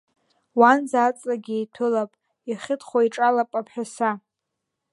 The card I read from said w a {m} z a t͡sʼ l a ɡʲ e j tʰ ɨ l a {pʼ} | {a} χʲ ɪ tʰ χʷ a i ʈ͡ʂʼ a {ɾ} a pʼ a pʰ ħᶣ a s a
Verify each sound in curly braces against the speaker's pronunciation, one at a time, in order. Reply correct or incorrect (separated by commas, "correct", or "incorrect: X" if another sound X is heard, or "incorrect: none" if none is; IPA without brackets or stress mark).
incorrect: n, correct, incorrect: i, incorrect: l